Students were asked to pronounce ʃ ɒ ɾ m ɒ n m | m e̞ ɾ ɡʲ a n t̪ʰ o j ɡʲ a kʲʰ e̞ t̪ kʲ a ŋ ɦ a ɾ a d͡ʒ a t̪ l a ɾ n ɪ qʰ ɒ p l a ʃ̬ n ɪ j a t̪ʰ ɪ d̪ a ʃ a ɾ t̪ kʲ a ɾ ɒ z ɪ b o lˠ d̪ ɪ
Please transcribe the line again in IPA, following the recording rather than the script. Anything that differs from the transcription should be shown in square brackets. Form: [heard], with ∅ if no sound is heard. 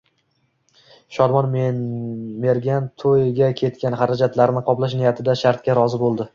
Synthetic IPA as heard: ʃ ɒ ɾ m ɒ n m | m e̞ ɾ ɡʲ a n t̪ʰ o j ɡʲ a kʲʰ e̞ t̪ kʲ a [n] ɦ a ɾ a d͡ʒ a t̪ l a ɾ n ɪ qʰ ɒ p l a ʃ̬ n ɪ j a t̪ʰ ɪ d̪ a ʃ a ɾ t̪ kʲ a ɾ ɒ z ɪ b o lˠ d̪ ɪ